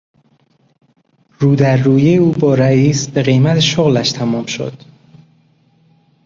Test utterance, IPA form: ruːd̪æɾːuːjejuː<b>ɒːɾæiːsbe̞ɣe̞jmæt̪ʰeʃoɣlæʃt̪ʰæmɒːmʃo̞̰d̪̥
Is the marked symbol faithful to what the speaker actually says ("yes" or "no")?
yes